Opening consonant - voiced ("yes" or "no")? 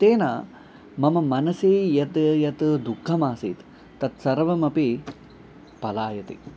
no